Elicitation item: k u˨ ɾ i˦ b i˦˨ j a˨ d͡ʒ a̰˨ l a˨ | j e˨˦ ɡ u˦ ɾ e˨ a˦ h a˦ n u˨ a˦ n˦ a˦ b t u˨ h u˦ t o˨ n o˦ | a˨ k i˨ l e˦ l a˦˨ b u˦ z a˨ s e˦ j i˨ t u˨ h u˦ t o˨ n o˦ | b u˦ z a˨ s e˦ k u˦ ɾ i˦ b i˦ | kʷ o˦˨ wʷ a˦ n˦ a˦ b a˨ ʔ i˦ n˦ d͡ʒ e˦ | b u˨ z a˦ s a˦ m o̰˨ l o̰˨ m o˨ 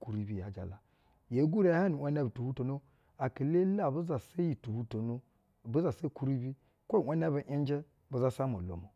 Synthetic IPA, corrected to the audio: k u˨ ɾ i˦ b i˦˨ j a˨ d͡ʒ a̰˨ l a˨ | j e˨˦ ɡ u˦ ɾ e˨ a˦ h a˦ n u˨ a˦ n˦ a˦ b t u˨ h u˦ t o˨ n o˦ | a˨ k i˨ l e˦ l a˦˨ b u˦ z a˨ s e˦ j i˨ t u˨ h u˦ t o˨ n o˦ | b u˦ z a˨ s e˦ k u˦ ɾ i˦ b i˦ | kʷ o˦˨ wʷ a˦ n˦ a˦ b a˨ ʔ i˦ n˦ d͡ʒ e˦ | b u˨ z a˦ s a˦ m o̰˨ l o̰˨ m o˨